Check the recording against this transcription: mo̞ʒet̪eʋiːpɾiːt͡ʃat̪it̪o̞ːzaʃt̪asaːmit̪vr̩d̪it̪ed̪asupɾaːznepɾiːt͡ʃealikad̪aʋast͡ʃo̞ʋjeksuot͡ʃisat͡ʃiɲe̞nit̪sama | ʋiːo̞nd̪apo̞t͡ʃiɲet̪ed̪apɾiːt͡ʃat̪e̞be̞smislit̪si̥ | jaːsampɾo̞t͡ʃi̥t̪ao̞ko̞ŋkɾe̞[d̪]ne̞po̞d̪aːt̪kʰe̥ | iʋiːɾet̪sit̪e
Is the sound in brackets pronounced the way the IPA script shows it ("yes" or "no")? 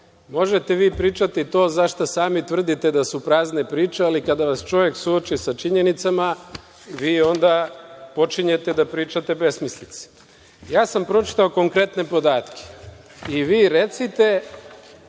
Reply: no